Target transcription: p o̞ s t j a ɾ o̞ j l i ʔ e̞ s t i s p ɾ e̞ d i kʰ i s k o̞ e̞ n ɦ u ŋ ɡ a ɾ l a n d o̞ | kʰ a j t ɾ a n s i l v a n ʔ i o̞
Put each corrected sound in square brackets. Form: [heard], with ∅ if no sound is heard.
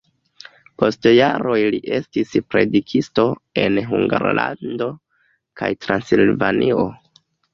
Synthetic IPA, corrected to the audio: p o̞ s t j a ɾ o̞ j l i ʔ e̞ s t i s p ɾ e̞ d i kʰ i s [t] o̞ e̞ n ɦ u ŋ ɡ a ɾ l a n d o̞ | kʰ a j t ɾ a n s i l v a n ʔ i o̞

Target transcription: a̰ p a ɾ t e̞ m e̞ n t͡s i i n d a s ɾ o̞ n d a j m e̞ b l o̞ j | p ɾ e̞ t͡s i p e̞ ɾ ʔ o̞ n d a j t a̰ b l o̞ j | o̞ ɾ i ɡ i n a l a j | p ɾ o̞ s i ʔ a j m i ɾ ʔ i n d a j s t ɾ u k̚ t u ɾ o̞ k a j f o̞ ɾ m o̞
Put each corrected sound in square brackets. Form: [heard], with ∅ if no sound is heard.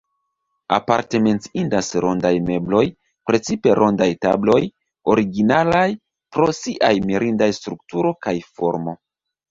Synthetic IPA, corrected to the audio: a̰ p a ɾ t e̞ m e̞ n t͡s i i n d a s ɾ o̞ n d a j m e̞ b l o̞ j | p ɾ e̞ t͡s i p e̞ ɾ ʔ o̞ n d a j t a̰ b l o̞ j | o̞ ɾ i ɡ i n a l a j | p ɾ o̞ s i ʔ a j m i ɾ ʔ i n d a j s t ɾ u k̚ t u ɾ o̞ k a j f o̞ ɾ m o̞

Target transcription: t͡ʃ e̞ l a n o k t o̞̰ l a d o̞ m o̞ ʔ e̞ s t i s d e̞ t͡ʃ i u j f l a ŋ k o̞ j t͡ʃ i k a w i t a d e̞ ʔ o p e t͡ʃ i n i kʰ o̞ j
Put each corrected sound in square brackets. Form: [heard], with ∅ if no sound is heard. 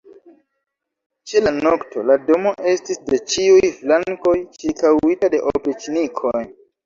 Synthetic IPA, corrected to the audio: t͡ʃ e̞ l a n o k t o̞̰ l a d o̞ m o̞ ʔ e̞ s t i s d e̞ t͡ʃ i u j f l a ŋ k o̞ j t͡ʃ i k a w i t a d e̞ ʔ o p e t͡ʃ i n i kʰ o̞ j

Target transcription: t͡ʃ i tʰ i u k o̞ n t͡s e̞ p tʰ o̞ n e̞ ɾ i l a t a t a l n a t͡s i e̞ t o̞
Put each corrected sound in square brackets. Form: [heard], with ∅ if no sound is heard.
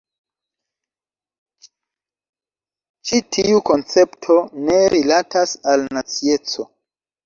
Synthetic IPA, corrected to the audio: t͡ʃ i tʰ i u k o̞ n t͡s e̞ p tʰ o̞ n e̞ ɾ i l a t a [s] a l n a t͡s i e̞ [t͡s] o̞

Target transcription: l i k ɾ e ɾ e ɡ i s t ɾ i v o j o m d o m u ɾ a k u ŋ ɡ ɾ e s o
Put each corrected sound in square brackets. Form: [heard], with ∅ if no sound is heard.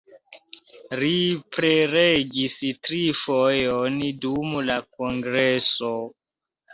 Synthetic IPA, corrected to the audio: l i [p] ɾ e ɾ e ɡ i s t ɾ i [f] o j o [n] d [u] m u [l] a k [o] ŋ ɡ ɾ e s o

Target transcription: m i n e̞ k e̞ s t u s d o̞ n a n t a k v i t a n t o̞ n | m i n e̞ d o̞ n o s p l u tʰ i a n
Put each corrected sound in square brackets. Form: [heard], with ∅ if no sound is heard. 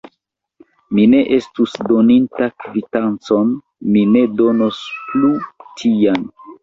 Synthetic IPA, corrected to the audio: m i n e̞ [ʔ] e̞ s t u s d o̞ n [i] n t a k v i t a n [t͡s] o̞ n | m i n e̞ d o̞ n o s p l u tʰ i a n

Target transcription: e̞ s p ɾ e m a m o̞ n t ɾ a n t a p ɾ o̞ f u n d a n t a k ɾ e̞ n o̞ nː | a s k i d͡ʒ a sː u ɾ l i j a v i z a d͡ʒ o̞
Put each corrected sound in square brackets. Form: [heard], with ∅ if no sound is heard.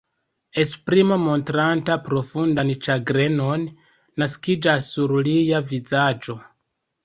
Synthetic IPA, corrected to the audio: e̞ s p ɾ [i] m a m o̞ n t ɾ a n t a p ɾ o̞ f u n d a n [t͡ʃ] a [ɡ] ɾ e̞ n o̞ nː | a s k i d͡ʒ a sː u ɾ l i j a v i z a d͡ʒ o̞

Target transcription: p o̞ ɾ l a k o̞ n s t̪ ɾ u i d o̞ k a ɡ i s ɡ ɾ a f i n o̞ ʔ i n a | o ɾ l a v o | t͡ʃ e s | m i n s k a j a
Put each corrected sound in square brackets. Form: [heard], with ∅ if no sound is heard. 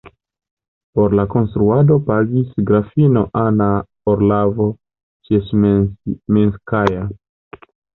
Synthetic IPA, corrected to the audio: p o̞ ɾ l a k o̞ n s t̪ ɾ u [a] d o̞ [p] a ɡ i s ɡ ɾ a f i n o̞ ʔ [a] n a | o ɾ l a v o | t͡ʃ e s | m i n s k a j a

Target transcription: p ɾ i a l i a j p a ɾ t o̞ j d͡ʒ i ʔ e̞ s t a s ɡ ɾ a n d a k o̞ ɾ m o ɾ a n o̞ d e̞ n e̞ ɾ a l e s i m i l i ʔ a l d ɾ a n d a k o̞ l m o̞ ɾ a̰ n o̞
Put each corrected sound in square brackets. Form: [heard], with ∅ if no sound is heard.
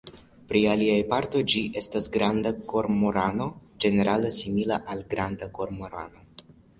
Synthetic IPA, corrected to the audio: p ɾ i a l i a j p a ɾ t o̞ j d͡ʒ i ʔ e̞ s t a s ɡ ɾ a n d a k o̞ ɾ m o ɾ a n o̞ [d͡ʒ] e̞ n e̞ ɾ a l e s i m i l [a] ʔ a l [ɡ] ɾ a n d a k o̞ [ɾ] m o̞ ɾ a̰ n o̞

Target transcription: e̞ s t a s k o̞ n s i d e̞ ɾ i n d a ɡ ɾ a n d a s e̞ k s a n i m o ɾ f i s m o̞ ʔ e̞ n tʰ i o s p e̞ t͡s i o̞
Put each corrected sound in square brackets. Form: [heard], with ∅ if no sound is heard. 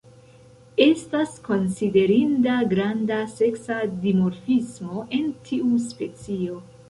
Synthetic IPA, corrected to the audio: e̞ s t a s k o̞ n s i d e̞ ɾ i n d a ɡ ɾ a n d a s e̞ k s a [d] i m o ɾ f i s m o̞ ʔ e̞ n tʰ i [u] s p e̞ t͡s i o̞

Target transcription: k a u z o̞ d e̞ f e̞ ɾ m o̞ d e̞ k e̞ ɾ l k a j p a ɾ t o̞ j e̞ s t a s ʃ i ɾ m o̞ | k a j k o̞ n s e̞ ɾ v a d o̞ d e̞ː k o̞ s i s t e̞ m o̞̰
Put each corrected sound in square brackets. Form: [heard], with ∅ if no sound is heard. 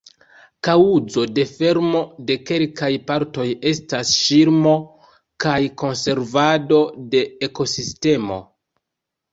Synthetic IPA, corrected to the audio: k a u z o̞ d e̞ f e̞ ɾ m o̞ d e̞ k e̞ [∅] l k a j p a ɾ t o̞ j e̞ s t a s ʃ i ɾ m o̞ | k a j k o̞ n s e̞ ɾ v a d o̞ d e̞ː k o̞ s i s t e̞ m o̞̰

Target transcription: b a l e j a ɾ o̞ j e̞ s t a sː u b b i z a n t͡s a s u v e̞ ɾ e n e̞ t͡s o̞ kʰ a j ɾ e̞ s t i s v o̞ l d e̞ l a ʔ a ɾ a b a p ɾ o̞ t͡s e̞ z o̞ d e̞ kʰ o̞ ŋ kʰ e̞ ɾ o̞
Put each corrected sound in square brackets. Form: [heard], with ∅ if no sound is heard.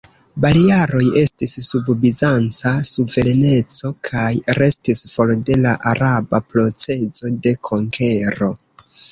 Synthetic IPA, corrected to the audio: b a l [i] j a ɾ o̞ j e̞ s t [i] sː u b b i z a n t͡s a s u v e̞ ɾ e n e̞ t͡s o̞ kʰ a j ɾ e̞ s t i s [f] o̞ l d e̞ l a ʔ a ɾ a b a p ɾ o̞ t͡s e̞ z o̞ d e̞ kʰ o̞ ŋ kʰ e̞ ɾ o̞

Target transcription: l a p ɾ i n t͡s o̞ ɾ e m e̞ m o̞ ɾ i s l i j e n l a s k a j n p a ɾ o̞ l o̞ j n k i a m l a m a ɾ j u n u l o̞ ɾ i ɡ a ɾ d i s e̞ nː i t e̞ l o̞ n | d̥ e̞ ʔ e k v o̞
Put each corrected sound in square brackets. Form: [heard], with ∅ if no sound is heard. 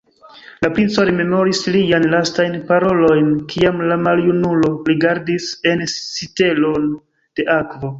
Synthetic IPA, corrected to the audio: l a p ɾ i n t͡s o̞ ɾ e m e̞ m o̞ ɾ i s l i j [a] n l a s [t] a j n p a ɾ o̞ l o̞ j n k i a m l a m a [l] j u n u l o̞ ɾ i ɡ a ɾ d i s e̞ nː i t e̞ l o̞ n | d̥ e̞ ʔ [a] k v o̞

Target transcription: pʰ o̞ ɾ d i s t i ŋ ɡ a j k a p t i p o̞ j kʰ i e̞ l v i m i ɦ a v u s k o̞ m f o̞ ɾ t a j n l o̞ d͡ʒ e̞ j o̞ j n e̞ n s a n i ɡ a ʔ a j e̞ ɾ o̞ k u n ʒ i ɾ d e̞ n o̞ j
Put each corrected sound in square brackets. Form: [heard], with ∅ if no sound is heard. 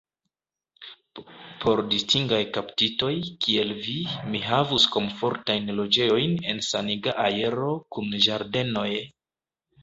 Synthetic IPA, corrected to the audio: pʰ o̞ ɾ d i s t i ŋ ɡ a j k a p t i [t] o̞ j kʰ i e̞ l v i m i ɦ a v u s k o̞ m f o̞ ɾ t a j n l o̞ d͡ʒ e̞ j o̞ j n e̞ n s a n i ɡ a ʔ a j e̞ ɾ o̞ k u n ʒ [a] ɾ d e̞ n o̞ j

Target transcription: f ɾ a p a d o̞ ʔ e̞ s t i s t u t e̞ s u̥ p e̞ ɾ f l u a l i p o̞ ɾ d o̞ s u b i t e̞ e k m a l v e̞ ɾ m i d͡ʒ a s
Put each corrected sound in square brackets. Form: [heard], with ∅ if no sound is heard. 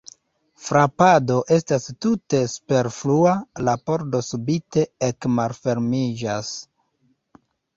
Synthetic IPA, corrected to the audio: f ɾ a p a d o̞ ʔ e̞ s t [a] s t u t e̞ s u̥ p e̞ ɾ f l u a l [a] p o̞ ɾ d o̞ s u b i t e̞ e k m a l [f] e̞ ɾ m i d͡ʒ a s

